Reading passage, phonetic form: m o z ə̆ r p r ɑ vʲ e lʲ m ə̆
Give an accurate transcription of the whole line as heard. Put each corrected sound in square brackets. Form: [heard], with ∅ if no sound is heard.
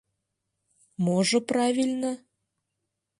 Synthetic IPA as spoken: m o [ʒ] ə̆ [∅] p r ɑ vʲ [i] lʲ [n] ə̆